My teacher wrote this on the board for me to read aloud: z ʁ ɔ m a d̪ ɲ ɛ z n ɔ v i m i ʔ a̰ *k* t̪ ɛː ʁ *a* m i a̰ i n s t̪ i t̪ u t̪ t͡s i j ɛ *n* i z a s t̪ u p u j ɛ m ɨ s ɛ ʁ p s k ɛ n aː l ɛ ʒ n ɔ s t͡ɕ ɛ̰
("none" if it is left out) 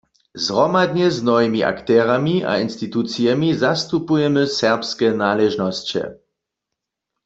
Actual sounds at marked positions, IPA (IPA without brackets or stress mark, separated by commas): k, a, m